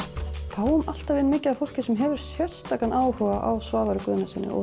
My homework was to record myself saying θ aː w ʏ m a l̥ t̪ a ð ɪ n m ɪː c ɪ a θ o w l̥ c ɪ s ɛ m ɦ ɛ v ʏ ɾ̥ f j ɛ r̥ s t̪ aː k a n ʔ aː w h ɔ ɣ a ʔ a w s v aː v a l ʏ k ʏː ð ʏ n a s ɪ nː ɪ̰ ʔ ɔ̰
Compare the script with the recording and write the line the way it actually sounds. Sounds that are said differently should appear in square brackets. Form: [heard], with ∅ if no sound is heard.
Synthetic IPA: θ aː w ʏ m a l̥ t̪ a [v] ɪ n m ɪː c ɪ a [f] o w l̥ c ɪ s ɛ m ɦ ɛ v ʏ ɾ̥ [s] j ɛ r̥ s t̪ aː k a n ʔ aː w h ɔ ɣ a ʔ a w s v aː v a [ɾ] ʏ k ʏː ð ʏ n a s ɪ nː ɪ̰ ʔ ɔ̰